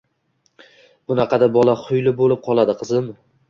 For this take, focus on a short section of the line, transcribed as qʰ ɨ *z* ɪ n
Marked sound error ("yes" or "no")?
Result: no